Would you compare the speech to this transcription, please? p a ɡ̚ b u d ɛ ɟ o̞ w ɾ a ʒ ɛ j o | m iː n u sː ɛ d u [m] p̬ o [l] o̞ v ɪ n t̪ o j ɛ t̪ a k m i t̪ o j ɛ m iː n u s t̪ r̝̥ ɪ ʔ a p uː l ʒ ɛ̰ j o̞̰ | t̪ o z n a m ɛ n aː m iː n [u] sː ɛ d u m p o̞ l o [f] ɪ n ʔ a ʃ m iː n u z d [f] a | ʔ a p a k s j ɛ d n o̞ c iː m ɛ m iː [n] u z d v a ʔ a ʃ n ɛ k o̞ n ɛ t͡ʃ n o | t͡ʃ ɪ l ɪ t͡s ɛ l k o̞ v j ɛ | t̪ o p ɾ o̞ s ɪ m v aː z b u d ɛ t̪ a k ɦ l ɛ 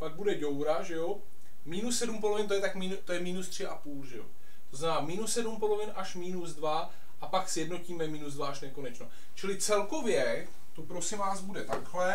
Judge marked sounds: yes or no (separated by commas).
yes, yes, yes, no, no, yes